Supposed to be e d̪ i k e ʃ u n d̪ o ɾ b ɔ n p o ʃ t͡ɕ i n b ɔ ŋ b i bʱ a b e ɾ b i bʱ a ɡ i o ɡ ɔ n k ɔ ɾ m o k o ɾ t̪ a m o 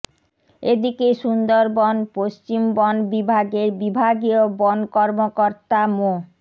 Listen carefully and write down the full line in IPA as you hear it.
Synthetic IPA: e d̪ i k e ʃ u n d̪ o ɾ b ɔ n p o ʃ t͡ɕ i m b ɔ n b i bʱ a ɡ e ɾ b i bʱ a ɡ i o b ɔ n k ɔ ɾ m o k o ɾ t̪ a m o

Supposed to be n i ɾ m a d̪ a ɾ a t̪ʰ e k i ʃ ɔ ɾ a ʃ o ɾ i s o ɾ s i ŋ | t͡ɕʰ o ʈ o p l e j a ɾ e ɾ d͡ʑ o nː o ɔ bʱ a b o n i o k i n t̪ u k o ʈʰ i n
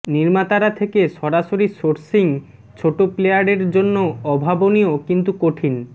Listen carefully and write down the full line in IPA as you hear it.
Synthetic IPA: n i ɾ m a t̪ a ɾ a t̪ʰ e k e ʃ ɔ ɾ a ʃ o ɾ i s o ɾ s i ŋ | t͡ɕʰ o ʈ o p l e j a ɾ e ɾ d͡ʑ o nː o ɔ bʱ a b o n i o k i n t̪ u k o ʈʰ i n

